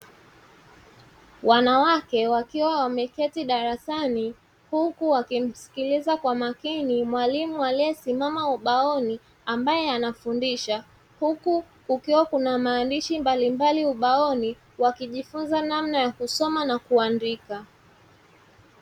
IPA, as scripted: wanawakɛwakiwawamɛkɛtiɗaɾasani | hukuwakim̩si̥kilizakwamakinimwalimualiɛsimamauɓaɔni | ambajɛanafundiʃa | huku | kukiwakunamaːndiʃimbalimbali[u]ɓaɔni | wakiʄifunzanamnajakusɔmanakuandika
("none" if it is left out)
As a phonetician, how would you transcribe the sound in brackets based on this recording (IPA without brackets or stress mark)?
u